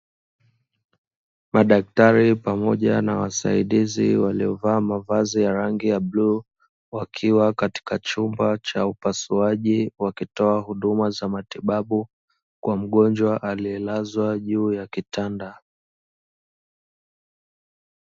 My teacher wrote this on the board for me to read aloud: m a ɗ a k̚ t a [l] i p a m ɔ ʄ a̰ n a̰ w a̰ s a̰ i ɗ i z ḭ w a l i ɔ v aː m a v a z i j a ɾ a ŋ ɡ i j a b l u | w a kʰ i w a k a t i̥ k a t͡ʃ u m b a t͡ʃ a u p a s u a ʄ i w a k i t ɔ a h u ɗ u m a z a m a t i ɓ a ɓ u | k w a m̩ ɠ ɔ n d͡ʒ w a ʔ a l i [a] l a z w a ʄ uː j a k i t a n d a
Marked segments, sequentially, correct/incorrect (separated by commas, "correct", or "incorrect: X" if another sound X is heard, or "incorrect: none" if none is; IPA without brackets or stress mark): incorrect: ɾ, incorrect: ɛ